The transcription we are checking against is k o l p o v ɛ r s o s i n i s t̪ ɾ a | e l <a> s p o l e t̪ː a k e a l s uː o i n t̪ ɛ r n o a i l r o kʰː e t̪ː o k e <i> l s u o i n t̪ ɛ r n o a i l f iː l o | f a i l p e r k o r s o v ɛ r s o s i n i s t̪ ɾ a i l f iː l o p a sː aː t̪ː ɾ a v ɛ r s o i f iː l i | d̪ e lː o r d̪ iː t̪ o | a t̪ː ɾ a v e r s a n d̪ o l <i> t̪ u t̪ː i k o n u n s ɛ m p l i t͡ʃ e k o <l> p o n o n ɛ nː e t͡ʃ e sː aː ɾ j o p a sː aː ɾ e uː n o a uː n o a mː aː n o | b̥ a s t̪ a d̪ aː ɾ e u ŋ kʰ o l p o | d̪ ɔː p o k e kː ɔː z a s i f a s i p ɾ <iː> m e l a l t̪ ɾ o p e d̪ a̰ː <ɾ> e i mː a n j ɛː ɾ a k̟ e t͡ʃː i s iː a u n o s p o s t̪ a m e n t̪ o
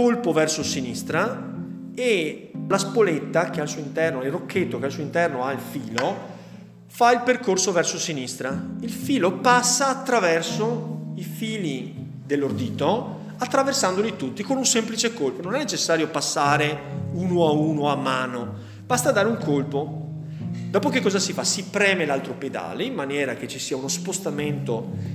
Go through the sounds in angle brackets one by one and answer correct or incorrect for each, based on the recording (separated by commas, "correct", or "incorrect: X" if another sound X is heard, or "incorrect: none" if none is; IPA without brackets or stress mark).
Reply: correct, incorrect: a, correct, correct, incorrect: ɛː, incorrect: l